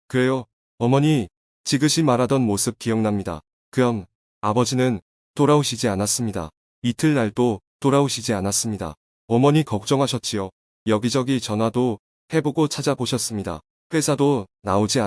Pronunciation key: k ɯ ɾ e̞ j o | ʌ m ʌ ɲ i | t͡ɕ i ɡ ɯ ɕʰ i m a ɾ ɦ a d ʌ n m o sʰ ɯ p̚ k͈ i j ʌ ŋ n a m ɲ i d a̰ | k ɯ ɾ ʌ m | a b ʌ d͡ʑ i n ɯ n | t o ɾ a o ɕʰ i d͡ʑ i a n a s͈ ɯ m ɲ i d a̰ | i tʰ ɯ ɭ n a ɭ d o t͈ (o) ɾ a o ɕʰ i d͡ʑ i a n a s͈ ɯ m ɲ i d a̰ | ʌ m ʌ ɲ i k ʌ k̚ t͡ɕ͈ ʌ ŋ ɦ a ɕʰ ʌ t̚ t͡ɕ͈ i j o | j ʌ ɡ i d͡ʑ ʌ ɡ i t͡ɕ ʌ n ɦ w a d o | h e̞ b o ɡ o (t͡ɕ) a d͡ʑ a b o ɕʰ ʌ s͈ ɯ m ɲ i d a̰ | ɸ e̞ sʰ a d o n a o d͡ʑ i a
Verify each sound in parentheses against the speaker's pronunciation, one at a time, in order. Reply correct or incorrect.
correct, incorrect

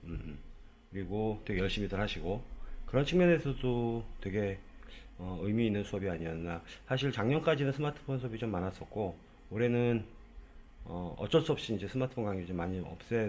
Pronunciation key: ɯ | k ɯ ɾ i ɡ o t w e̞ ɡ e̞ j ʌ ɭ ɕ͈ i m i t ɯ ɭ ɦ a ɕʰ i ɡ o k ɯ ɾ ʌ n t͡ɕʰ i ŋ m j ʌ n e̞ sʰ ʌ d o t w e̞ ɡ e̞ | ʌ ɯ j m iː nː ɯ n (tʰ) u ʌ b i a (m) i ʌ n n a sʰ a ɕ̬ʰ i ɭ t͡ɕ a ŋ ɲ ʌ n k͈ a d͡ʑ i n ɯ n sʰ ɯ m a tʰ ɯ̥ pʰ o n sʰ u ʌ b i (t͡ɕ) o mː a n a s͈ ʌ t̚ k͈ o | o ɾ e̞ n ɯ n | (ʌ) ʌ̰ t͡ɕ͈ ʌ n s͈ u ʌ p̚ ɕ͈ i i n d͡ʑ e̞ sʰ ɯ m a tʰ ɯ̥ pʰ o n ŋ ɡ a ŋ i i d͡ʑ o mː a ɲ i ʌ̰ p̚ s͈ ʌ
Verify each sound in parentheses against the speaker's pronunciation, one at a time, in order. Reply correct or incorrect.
incorrect, incorrect, correct, correct

